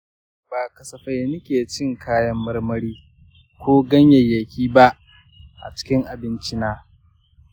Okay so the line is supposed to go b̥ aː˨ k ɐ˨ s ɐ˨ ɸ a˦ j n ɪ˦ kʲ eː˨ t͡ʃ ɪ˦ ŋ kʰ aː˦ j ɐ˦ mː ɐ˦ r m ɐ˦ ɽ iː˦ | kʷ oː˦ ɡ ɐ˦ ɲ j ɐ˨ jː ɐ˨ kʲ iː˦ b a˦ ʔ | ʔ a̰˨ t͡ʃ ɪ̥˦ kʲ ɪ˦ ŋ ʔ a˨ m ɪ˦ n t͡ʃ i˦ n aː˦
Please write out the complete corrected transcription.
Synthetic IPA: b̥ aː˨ k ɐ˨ s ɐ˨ ɸ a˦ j n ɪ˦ kʲ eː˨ t͡ʃ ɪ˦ ŋ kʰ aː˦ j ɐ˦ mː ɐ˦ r m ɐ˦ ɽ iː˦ | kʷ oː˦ ɡ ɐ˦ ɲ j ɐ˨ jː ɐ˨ kʲ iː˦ b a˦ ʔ | ʔ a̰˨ t͡ʃ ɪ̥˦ kʲ ɪ˦ ŋ ʔ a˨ b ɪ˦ n t͡ʃ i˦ n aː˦